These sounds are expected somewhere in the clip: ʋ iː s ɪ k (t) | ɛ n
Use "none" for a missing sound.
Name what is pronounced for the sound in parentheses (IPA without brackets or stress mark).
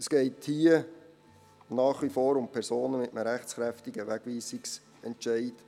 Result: s